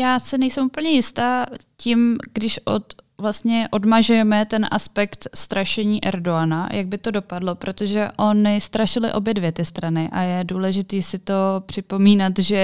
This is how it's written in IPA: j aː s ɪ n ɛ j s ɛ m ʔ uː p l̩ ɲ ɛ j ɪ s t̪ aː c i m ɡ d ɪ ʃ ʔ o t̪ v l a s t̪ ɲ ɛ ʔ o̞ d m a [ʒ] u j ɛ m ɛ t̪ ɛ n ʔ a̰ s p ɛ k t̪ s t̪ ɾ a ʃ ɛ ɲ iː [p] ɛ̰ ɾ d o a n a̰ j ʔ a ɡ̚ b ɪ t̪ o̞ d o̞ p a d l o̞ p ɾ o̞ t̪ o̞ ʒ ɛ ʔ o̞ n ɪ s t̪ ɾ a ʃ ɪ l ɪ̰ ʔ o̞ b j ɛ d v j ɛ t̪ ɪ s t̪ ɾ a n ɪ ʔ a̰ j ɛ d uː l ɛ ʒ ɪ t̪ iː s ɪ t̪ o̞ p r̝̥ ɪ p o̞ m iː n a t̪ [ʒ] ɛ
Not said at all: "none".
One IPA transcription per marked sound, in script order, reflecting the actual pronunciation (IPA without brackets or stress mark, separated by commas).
ʒ, ʔ, ʒ